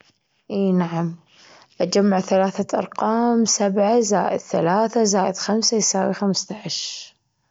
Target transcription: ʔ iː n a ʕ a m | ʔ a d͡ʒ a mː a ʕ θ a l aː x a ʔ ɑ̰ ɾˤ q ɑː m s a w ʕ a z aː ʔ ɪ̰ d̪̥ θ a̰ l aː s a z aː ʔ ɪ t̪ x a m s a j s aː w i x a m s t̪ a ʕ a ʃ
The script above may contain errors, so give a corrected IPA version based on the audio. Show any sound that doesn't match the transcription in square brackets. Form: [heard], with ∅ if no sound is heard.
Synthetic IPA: ʔ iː n a ʕ a m | ʔ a d͡ʒ a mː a ʕ θ a l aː [θ] a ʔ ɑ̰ ɾˤ q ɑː m s a [b] ʕ a z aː ʔ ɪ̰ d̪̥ θ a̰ l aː [θ] a z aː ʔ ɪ [d̪] x a m s a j s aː w i x a m s t̪ a ʕ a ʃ

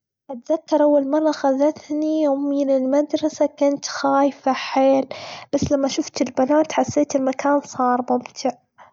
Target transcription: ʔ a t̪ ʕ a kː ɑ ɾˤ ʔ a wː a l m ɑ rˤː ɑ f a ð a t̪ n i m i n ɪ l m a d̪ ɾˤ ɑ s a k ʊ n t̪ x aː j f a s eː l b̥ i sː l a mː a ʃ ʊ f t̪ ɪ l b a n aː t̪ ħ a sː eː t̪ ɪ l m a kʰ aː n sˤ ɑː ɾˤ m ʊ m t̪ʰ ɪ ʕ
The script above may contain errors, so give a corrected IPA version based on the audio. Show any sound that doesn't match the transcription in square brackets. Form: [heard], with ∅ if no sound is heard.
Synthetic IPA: ʔ a t̪ [ð] a kː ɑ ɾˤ ʔ a wː a l m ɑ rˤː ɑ [x] a ð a t̪ n i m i n ɪ l m a d̪ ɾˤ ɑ s a k ʊ n t̪ x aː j f a [ħ] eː l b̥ [a] sː l a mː a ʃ ʊ f t̪ ɪ l b a n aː t̪ ħ a sː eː t̪ ɪ l m a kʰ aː n sˤ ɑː ɾˤ m ʊ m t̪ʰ ɪ ʕ

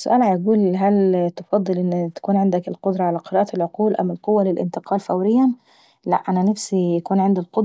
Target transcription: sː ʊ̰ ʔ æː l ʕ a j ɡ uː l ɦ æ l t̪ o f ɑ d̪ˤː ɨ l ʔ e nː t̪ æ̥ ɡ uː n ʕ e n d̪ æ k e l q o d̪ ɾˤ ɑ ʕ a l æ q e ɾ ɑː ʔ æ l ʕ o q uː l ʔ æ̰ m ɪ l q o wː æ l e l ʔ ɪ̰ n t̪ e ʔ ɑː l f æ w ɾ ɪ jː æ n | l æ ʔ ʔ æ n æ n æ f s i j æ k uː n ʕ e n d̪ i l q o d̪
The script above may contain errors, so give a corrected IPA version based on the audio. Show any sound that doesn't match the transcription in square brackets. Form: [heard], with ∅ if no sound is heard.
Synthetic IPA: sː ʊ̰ ʔ æː l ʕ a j ɡ uː l ɦ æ l t̪ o f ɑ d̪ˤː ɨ l ʔ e nː t̪ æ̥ [k] uː n ʕ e n d̪ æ k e l q o d̪ ɾˤ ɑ ʕ a l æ q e ɾ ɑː ʔ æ l ʕ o q uː l ʔ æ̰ m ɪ l q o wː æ l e l ʔ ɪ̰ n t̪ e [q] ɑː l f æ w ɾ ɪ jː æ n | l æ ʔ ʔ æ n æ n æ f s i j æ k uː n ʕ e n d̪ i l q o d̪

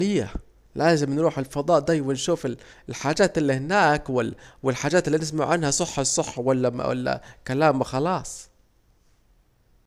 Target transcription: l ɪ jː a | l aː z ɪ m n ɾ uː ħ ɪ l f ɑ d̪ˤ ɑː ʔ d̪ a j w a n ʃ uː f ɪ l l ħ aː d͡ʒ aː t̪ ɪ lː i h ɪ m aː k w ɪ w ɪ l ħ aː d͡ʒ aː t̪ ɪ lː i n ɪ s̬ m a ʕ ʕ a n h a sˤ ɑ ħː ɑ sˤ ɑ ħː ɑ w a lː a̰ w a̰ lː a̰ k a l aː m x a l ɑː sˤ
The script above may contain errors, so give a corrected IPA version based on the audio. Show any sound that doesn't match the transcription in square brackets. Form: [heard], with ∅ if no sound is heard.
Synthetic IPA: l ɪ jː a | l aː z ɪ m n ɾ uː ħ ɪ l f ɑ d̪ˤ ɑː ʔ d̪ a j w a n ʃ uː f ɪ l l ħ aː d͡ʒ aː t̪ ɪ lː i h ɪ [n] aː k w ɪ w ɪ l ħ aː d͡ʒ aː t̪ ɪ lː i n ɪ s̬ m a ʕ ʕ a n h a sˤ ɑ ħː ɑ sˤ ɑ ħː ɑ w a lː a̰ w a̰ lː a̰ k a l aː m x [ɑ] l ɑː sˤ

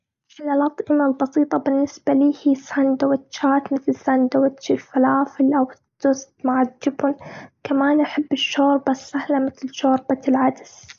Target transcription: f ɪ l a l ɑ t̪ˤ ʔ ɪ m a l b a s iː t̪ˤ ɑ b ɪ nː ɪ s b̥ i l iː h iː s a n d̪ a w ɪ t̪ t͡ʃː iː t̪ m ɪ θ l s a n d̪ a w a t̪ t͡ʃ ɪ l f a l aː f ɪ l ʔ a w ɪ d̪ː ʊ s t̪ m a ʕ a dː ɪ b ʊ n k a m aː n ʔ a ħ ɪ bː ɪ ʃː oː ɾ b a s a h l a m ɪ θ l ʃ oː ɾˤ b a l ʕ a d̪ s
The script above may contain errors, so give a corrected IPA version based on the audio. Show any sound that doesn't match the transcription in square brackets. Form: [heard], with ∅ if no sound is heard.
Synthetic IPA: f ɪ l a l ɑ t̪ˤ ʔ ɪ m a l b [ɑ] s iː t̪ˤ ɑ b ɪ nː ɪ s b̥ [a] l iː h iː s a n d̪ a w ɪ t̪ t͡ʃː [aː] t̪ m ɪ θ l s a n d̪ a w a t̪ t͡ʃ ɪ l f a l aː f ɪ l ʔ a w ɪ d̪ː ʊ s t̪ m a ʕ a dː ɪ b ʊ n k a m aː n ʔ a ħ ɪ bː ɪ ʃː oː ɾ b a s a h l a m ɪ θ l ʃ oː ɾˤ b a l ʕ a d̪ s

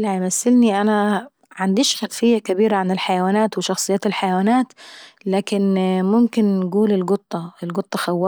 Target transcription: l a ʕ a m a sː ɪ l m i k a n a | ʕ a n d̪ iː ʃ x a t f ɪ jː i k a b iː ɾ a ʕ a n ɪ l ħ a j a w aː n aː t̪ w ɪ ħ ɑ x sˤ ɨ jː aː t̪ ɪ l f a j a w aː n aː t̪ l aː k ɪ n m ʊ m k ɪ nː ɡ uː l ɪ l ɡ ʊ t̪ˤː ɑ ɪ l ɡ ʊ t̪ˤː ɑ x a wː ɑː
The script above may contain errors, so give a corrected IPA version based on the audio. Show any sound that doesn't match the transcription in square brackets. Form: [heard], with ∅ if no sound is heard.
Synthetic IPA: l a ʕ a m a sː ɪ l [n] i [ʔ] a n a | ʕ a n d̪ iː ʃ x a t f ɪ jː [a] k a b iː ɾ a ʕ a n ɪ l ħ a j a w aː n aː t̪ w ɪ [ʃ] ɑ x sˤ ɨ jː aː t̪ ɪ l [ħ] a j a w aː n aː t̪ l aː k ɪ n m ʊ m k ɪ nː ɡ uː l ɪ l ɡ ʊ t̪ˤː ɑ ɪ l ɡ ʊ t̪ˤː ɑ x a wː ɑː

